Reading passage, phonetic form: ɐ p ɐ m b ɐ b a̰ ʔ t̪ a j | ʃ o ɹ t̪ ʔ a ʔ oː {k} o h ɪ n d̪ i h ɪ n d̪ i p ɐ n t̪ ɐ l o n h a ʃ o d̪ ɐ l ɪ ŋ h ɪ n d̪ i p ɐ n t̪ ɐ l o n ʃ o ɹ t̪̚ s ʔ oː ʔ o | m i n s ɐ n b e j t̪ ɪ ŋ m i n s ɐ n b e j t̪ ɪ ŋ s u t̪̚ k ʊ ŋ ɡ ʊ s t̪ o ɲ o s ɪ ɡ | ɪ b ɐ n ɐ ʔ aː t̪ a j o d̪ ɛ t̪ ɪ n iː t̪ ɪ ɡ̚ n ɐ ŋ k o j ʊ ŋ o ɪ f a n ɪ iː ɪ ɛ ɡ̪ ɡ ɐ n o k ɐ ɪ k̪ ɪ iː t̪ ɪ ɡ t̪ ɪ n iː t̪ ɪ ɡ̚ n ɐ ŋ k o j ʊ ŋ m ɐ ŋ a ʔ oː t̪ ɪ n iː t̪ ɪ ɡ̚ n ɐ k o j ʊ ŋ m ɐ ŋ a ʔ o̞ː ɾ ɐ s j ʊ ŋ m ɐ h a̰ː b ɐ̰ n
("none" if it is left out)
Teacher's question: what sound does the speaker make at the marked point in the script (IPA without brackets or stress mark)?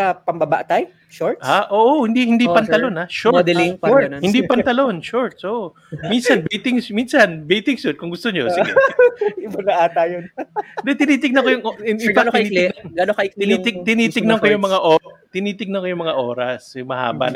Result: ʔ